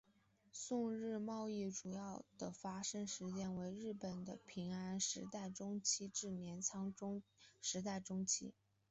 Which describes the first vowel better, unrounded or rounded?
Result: rounded